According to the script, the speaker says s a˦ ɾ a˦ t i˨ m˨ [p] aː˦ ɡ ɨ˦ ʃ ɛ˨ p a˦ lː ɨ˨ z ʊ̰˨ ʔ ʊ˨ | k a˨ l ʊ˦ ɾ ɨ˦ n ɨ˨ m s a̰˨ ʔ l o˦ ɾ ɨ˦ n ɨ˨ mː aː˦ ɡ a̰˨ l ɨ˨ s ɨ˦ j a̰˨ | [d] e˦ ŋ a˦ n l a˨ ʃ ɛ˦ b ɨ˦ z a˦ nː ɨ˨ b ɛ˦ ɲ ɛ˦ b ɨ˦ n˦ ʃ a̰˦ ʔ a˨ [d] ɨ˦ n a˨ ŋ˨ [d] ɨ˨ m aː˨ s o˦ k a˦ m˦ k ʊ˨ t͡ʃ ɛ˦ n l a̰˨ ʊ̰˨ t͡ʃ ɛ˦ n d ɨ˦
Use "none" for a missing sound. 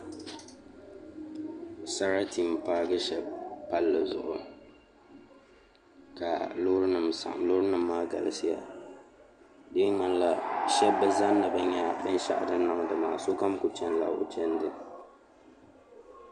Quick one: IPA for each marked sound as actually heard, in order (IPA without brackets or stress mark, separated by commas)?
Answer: p, d, d, d